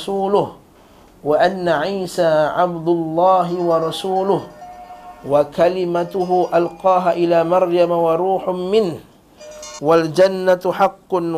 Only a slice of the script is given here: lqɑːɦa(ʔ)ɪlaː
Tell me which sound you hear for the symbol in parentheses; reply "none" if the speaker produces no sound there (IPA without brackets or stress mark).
ʔ